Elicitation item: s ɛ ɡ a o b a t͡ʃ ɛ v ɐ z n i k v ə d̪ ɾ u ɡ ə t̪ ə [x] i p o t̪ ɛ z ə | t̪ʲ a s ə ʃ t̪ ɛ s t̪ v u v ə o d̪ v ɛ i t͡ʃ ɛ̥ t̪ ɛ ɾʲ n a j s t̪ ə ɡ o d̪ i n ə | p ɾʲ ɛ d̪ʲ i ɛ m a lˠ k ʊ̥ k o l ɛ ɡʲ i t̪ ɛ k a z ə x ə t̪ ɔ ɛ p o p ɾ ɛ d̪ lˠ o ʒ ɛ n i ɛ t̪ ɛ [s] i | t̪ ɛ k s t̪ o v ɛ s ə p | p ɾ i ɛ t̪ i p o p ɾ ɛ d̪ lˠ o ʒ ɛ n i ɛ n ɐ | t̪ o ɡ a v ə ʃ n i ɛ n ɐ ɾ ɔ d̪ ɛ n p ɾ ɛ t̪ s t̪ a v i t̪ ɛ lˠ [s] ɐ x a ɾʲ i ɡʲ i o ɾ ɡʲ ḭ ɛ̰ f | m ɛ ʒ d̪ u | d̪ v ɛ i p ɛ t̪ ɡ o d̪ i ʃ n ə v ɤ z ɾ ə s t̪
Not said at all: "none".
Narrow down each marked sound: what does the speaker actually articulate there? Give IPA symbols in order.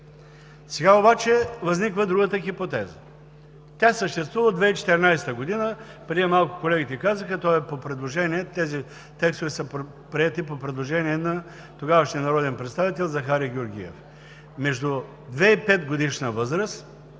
x, z, z

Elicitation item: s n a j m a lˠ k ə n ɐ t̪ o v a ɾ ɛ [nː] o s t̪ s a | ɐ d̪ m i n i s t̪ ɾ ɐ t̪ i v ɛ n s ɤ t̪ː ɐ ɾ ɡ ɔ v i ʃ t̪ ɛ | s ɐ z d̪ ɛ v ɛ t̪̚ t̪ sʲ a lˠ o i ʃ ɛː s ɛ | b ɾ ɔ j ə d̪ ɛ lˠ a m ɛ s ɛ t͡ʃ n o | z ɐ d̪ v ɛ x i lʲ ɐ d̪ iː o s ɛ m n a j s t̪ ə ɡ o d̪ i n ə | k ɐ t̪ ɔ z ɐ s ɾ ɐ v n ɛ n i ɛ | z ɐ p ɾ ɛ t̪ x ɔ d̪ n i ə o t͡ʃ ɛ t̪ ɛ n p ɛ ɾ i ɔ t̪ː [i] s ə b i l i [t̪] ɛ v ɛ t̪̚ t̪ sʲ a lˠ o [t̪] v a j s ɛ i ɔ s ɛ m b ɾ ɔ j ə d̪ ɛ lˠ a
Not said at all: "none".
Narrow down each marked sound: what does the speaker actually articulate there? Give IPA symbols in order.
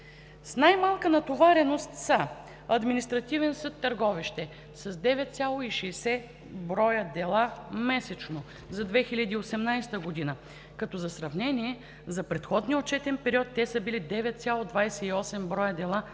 n, ɛ, d̪, d̪

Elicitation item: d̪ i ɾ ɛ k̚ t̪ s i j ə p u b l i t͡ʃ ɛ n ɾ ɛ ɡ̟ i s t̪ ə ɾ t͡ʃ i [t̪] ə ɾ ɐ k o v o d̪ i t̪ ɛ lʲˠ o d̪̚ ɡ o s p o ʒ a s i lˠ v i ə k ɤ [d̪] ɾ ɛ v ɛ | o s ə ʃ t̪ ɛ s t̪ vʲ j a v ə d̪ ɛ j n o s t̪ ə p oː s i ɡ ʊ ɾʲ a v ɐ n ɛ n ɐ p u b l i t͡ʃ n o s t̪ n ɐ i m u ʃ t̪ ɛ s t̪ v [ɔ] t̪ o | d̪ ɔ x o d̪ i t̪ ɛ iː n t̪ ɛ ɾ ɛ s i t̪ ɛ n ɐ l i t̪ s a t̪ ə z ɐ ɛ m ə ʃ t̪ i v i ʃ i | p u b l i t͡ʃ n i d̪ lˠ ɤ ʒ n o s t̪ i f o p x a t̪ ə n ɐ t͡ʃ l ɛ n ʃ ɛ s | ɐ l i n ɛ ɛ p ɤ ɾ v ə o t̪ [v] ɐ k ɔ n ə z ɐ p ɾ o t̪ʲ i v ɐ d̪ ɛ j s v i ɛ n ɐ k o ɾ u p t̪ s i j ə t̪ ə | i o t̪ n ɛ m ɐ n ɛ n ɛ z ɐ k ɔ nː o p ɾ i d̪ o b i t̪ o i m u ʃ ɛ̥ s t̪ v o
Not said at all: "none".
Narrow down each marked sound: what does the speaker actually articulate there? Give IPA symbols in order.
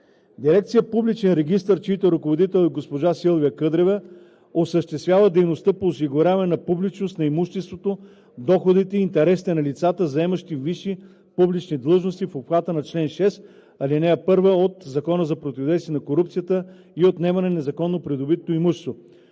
t̪, d̪, o, z

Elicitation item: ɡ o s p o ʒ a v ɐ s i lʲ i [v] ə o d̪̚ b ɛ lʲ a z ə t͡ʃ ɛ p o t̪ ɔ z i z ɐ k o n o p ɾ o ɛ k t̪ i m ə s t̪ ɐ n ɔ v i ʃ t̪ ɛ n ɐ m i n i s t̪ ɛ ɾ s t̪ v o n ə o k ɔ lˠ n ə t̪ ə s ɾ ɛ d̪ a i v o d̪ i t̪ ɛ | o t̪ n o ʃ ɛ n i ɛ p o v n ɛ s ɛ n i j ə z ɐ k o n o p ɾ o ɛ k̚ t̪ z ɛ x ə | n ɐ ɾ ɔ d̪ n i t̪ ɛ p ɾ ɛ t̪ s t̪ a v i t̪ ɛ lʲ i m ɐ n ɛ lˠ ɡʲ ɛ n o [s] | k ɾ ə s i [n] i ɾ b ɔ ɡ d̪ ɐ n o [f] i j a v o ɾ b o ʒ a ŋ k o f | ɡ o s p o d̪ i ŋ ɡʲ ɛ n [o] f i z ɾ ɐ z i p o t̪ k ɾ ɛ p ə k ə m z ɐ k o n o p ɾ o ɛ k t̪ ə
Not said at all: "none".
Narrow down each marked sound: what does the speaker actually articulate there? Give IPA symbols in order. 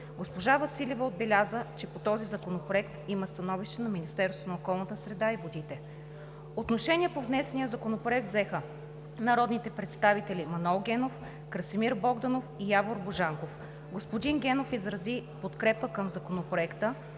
v, f, m, f, o

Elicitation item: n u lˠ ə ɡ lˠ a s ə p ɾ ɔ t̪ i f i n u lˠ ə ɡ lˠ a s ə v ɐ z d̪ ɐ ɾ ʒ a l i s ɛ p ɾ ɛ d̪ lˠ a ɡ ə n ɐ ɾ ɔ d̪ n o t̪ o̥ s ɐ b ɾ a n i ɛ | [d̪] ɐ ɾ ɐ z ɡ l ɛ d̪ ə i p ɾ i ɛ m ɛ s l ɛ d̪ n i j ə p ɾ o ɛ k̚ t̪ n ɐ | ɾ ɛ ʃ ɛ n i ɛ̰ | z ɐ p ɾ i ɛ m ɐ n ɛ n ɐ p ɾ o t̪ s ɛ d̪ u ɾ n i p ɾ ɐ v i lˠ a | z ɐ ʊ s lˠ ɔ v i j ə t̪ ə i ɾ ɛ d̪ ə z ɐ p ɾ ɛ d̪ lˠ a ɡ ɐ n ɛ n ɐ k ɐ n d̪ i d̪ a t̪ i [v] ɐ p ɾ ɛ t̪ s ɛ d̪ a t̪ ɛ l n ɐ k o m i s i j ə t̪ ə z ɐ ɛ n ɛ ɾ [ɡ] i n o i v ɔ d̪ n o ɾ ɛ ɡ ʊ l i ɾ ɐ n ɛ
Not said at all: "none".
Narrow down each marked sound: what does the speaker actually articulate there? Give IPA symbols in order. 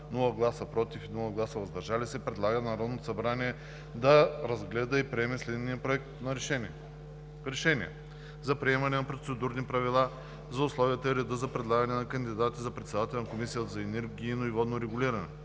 d̪, z, ɡ

